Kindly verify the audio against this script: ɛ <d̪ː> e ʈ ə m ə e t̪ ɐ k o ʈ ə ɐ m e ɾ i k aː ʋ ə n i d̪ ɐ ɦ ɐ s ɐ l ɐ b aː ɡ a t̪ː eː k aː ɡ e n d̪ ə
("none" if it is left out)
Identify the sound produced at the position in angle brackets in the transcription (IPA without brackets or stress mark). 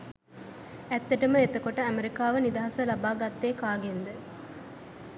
t̪ː